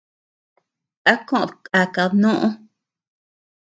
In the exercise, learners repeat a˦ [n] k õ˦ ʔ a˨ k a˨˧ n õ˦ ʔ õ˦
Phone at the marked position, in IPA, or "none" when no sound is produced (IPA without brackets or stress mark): none